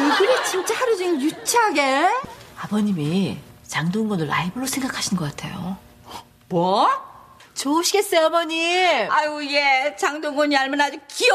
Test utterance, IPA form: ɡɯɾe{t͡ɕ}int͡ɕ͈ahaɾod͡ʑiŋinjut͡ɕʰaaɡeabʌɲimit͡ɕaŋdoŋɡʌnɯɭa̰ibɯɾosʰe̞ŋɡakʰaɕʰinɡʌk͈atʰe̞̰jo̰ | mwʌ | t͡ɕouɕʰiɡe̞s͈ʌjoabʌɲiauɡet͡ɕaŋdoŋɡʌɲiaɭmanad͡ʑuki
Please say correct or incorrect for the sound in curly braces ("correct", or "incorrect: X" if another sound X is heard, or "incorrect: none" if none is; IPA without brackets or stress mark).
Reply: correct